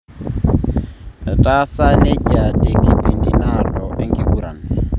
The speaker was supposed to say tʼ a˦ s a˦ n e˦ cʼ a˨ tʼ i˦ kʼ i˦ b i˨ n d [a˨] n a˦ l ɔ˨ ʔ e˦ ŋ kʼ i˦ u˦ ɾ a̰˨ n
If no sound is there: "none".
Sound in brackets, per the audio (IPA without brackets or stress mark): i˨